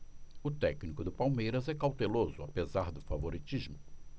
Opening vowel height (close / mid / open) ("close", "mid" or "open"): close